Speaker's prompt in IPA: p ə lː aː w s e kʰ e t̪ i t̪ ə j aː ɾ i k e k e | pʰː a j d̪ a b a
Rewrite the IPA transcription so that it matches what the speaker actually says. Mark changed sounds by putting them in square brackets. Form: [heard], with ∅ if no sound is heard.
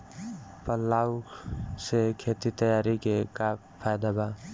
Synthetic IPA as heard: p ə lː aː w s e kʰ e t̪ i t̪ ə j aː ɾ i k e k [a] | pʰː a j d̪ a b a